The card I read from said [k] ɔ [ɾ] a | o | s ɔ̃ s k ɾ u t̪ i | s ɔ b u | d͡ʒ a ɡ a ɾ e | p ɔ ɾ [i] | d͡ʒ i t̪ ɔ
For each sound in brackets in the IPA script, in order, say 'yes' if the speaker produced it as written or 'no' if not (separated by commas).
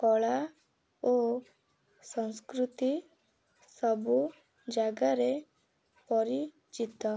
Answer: yes, no, yes